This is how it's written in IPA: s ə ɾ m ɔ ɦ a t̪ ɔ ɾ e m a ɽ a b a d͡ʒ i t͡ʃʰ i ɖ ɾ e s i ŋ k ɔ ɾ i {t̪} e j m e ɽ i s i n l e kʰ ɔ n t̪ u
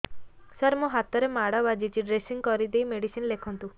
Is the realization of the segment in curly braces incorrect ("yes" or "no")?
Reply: yes